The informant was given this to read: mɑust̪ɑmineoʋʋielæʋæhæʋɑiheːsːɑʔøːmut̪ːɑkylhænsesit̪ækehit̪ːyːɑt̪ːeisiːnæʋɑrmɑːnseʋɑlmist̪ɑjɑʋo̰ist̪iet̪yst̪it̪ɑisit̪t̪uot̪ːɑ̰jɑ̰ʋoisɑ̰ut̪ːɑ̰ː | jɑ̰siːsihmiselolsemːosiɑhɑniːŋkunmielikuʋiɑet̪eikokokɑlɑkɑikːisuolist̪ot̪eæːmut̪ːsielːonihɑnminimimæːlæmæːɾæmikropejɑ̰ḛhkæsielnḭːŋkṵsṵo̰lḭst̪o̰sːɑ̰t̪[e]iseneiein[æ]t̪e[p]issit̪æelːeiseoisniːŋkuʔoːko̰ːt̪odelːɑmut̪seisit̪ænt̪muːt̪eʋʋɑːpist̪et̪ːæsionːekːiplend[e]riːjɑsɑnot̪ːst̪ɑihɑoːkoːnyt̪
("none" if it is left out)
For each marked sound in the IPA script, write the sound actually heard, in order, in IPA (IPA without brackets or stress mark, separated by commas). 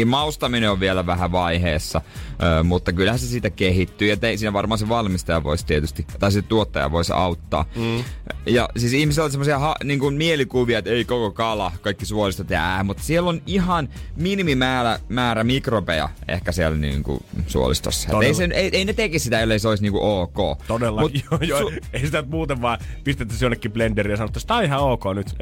e, e, k, e